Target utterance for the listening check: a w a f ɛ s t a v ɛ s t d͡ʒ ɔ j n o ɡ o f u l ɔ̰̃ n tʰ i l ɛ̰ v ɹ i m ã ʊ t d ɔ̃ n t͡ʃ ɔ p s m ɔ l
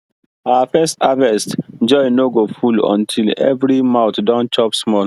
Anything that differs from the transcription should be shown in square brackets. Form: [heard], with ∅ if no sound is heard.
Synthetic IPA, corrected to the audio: a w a f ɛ s t a v ɛ s t d͡ʒ ɔ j n o ɡ o f u l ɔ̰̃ n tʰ i l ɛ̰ v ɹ i m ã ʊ t d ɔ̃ n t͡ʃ ɔ p s m ɔ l